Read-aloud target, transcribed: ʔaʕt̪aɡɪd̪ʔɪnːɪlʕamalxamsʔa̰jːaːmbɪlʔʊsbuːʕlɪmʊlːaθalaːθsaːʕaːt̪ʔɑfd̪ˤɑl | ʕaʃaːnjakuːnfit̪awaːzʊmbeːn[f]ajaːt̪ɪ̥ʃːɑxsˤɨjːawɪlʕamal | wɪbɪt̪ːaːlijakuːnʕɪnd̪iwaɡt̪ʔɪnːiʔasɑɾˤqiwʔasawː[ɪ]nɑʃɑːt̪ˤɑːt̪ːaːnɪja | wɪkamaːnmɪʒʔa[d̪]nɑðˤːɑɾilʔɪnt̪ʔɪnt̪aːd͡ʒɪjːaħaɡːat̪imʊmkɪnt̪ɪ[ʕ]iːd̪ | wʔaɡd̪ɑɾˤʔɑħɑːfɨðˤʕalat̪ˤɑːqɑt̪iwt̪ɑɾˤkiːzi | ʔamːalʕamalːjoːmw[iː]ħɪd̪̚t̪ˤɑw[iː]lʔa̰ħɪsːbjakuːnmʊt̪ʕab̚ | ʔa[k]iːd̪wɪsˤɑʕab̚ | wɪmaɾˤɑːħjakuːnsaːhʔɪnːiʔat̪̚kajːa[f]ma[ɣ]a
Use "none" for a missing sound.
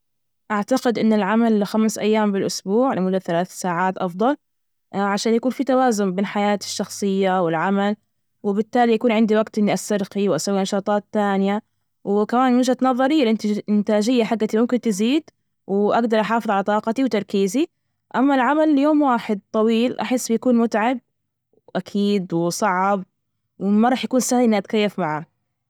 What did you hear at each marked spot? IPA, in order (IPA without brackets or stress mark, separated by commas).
ħ, i, t̪, z, aː, iː, kʰ, f, ʕ